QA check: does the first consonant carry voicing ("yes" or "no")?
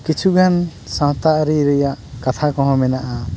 no